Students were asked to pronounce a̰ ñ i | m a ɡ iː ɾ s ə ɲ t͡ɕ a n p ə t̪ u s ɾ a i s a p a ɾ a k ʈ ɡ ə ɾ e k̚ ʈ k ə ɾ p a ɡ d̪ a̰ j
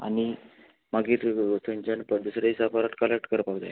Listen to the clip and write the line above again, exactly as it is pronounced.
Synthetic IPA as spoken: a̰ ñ i | m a ɡ iː ɾ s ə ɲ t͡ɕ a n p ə d̪ u s ɾ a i s a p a ɾ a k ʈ k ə l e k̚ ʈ k ə ɾ p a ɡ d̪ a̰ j